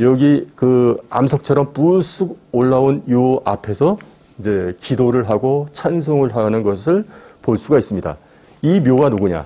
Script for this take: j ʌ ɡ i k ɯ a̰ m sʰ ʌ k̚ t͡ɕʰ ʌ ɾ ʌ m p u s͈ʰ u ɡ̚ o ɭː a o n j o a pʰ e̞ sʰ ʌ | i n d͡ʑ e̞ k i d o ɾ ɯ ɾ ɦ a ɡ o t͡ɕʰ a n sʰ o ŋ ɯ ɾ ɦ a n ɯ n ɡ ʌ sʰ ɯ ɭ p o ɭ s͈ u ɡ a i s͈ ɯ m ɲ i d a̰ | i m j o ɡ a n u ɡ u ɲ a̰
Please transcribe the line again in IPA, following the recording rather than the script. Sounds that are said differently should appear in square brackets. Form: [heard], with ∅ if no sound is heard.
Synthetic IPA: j ʌ ɡ i k ɯ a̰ m sʰ ʌ k̚ t͡ɕʰ ʌ ɾ ʌ m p u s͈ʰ u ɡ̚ o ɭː a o n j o a pʰ e̞ sʰ ʌ | i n d͡ʑ e̞ k i d o ɾ ɯ [ɭ] ɦ a ɡ o t͡ɕʰ a n sʰ o ŋ ɯ [ɭ] ɦ a n ɯ n ɡ ʌ sʰ ɯ ɭ p o ɭ s͈ u ɡ a i s͈ ɯ m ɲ i d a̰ | i m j o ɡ a n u ɡ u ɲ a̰